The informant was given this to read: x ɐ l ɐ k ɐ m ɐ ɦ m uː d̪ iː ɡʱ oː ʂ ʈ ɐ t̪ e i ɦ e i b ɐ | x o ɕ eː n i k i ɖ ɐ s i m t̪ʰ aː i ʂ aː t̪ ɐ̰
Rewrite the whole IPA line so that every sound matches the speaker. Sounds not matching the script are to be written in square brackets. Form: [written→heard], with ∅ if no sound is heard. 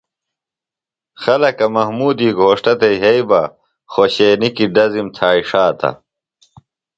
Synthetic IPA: x ɐ l ɐ k ɐ m ɐ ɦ m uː d̪ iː ɡʱ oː ʂ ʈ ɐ t̪ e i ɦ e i b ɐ | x o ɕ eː n i k i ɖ ɐ [s→z] i m t̪ʰ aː i ʂ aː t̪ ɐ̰